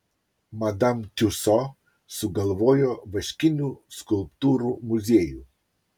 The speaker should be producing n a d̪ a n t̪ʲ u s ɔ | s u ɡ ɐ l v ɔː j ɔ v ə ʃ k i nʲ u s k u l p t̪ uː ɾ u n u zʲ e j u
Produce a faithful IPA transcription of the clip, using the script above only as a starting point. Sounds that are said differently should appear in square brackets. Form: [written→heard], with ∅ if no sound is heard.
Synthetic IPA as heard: [n→m] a d̪ a [n→m] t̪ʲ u s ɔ | s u ɡ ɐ l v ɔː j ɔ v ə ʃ k i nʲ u s k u l p t̪ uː ɾ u [n→m] u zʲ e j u